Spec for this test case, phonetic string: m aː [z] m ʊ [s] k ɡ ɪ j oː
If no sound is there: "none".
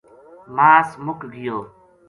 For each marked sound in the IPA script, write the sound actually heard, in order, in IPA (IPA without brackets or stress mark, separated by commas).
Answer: s, none